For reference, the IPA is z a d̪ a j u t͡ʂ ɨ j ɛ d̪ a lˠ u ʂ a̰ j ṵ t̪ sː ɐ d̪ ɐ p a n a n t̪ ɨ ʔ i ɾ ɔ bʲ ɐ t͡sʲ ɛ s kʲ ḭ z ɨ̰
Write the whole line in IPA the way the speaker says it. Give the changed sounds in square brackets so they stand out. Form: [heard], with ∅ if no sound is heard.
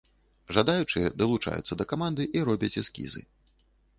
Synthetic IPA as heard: [ʐ] a d̪ a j u t͡ʂ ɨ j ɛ d̪ [ɐ] lˠ u [t͡ʂ] a̰ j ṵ t̪ sː ɐ d̪ ɐ [k] a [m] a n [d̪] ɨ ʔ i ɾ ɔ bʲ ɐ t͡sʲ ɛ s kʲ ḭ z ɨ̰